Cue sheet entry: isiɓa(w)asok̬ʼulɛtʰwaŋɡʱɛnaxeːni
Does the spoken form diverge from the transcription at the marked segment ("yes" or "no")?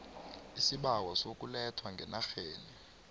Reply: no